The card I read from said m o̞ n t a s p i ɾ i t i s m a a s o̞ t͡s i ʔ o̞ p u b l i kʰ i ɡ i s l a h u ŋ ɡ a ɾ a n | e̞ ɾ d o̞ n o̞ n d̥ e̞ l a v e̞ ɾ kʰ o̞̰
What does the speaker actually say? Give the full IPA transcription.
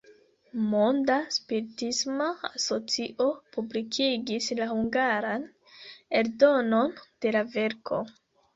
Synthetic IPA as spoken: m o̞ n d a s p i ɾ i t i s m a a s o̞ t͡s i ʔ o̞ p u b l i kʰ i ɡ i s l a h u ŋ ɡ a ɾ a n | e̞ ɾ d o̞ n o̞ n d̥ e̞ l a v e̞ ɾ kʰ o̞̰